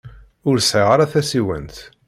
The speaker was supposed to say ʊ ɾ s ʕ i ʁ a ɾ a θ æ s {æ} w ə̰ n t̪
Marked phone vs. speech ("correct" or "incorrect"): incorrect